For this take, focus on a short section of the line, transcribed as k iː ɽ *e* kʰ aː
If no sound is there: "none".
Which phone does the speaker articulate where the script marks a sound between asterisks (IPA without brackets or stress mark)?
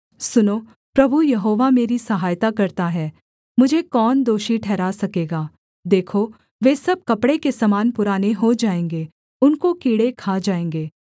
e